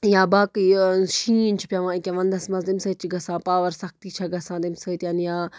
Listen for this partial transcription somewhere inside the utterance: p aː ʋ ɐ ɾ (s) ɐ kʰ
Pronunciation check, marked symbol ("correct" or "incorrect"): correct